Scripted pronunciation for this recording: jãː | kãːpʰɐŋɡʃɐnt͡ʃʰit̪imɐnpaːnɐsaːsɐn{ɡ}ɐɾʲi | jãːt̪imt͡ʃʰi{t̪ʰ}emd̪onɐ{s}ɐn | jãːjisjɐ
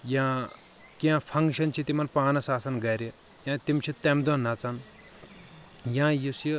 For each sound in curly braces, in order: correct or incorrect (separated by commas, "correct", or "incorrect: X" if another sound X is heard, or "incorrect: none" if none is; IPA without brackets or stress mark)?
correct, incorrect: t̪, incorrect: t͡s